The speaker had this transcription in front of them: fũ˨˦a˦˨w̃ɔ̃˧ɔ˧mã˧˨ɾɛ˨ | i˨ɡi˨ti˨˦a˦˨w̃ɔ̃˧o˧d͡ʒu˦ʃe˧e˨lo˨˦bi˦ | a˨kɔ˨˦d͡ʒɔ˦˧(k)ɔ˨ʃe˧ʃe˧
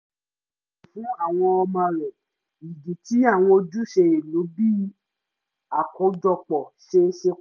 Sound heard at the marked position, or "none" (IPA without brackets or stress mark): k͡p